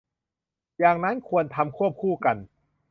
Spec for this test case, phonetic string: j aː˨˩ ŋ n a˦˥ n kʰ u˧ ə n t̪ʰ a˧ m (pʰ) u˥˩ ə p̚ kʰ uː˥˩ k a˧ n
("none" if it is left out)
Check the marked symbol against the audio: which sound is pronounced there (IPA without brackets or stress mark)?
kʰ